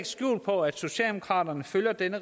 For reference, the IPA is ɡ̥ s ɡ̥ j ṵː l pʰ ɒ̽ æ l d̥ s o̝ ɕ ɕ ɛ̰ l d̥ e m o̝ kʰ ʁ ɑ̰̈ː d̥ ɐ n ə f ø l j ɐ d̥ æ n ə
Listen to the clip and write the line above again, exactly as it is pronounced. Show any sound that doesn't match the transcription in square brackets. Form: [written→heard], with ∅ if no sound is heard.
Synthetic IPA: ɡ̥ s ɡ̥ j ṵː l pʰ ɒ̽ æ [l→∅] d̥ s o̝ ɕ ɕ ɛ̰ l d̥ e m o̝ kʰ ʁ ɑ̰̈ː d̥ ɐ n ə f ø l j ɐ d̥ [æ→e] n ə